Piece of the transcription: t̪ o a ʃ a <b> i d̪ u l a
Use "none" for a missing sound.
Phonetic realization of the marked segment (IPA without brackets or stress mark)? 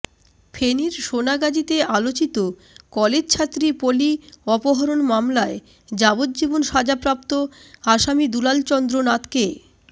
m